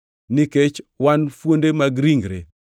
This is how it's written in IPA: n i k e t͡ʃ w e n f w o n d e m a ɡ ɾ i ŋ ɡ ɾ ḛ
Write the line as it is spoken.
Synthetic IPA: n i k e t͡ʃ w a n f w o n d e m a ɡ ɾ i ŋ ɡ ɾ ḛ